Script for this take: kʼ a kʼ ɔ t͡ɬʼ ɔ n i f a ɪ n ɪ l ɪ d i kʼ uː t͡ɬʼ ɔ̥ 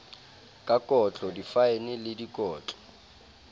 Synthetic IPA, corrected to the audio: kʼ a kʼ ɔ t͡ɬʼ ɔ d i f a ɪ n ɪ l ɪ d i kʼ ɔː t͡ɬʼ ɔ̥